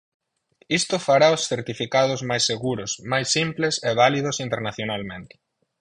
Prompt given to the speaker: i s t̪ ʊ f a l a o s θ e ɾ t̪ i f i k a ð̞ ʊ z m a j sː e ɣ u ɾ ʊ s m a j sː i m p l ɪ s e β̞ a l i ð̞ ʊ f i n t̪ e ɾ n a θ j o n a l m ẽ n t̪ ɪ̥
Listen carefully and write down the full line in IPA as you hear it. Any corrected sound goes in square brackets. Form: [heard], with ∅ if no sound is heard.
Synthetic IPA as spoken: i s t̪ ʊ f a [ɾ] a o s θ e ɾ t̪ i f i k a ð̞ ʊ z m a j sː e ɣ u ɾ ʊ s m a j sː i m p l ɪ s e β̞ a l i ð̞ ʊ [s] i n t̪ e ɾ n a θ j o n a l m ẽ n t̪ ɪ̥